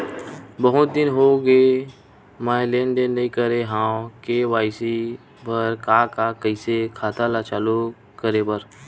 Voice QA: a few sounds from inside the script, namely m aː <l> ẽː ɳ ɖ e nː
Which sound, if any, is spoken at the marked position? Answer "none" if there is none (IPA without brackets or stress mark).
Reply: l